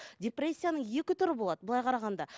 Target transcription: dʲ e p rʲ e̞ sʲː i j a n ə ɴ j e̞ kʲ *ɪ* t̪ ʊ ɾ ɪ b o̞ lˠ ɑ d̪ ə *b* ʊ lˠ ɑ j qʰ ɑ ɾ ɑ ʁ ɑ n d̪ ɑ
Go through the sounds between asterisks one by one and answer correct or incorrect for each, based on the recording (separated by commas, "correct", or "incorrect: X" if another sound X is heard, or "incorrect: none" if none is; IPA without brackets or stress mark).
correct, correct